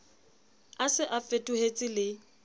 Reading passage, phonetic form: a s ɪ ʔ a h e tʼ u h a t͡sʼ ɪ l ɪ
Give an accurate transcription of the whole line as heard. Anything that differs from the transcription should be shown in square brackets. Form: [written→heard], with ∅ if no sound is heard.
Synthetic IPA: a s ɪ ʔ a [h→f] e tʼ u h [a→e] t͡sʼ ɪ l ɪ

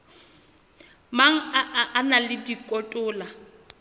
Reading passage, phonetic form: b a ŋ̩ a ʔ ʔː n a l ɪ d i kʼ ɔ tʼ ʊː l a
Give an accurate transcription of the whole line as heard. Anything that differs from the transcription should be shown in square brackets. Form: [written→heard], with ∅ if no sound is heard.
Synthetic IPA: [b→m] a ŋ̩ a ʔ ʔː n a l ɪ d i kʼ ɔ tʼ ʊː l a

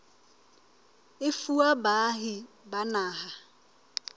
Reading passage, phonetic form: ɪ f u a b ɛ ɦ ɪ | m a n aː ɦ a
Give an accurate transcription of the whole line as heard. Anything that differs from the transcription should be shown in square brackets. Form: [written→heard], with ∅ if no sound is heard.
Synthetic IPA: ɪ f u a b [ɛ→a] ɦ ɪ | [m→b] a n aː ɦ a

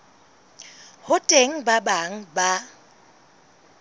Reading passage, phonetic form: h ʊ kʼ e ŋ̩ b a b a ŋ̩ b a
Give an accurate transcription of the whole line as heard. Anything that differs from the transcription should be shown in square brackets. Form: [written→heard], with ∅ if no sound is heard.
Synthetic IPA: h ʊ [kʼ→tʼ] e ŋ̩ b a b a ŋ̩ b a

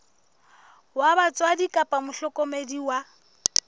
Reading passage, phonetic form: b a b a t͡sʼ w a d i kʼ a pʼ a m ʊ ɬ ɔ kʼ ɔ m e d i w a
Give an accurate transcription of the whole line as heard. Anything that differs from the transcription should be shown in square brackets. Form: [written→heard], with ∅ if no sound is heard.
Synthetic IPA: [b→w] a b a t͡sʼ w a d i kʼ a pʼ a m ʊ ɬ ɔ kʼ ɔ m e d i w a

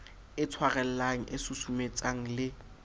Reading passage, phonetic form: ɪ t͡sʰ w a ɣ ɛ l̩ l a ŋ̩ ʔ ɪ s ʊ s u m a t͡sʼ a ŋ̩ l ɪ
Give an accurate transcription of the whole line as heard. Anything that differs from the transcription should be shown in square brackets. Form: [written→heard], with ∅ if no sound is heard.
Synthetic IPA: ɪ t͡sʰ w a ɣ ɛ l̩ l a ŋ̩ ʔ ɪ s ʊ s u m [a→e] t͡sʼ a ŋ̩ l ɪ

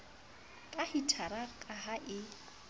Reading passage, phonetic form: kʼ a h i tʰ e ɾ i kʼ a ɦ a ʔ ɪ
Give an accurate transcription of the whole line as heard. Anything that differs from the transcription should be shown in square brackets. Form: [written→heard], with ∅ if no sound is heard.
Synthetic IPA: kʼ a h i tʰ [e→a] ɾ [i→a] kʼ a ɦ a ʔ ɪ

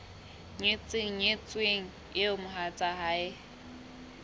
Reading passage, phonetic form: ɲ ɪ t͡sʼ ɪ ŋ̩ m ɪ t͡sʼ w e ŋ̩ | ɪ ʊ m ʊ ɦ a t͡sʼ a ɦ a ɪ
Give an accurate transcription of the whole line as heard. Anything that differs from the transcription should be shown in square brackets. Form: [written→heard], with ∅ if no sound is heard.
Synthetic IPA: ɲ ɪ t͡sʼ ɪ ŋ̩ [m→ɲ] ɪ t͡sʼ w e ŋ̩ | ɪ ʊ m ʊ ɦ a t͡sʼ a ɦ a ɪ

